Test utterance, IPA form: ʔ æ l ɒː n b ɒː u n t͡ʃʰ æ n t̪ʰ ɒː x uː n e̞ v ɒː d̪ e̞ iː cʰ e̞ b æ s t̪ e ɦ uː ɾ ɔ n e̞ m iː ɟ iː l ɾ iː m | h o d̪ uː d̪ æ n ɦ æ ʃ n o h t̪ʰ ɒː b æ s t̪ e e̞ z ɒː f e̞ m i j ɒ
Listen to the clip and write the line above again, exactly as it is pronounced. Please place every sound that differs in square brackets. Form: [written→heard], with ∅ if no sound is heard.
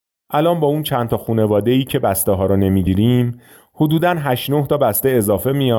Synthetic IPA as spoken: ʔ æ l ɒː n b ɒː u n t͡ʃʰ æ n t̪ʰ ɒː x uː n e̞ v ɒː d̪ e̞ iː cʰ e̞ b æ s t̪ e ɦ [uː→ɒː] ɾ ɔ n e̞ m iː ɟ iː [l→∅] ɾ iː m | h o d̪ uː d̪ æ n ɦ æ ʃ n o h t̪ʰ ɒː b æ s t̪ e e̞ z ɒː f e̞ m i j ɒ